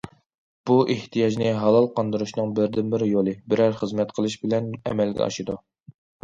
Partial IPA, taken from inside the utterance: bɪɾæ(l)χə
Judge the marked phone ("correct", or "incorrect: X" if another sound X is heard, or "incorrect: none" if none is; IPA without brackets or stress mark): incorrect: ɾ